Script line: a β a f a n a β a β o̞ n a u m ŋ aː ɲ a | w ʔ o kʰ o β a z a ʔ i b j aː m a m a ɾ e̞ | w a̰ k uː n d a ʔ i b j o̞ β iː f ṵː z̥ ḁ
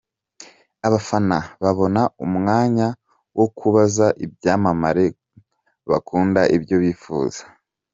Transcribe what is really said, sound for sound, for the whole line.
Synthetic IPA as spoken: a β a f a n a β a β o̞ n a u m ŋ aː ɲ a | w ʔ o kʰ u β a z a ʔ i b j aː m a m a ɾ e̞ | β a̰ k uː n d a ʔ i b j o̞ β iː f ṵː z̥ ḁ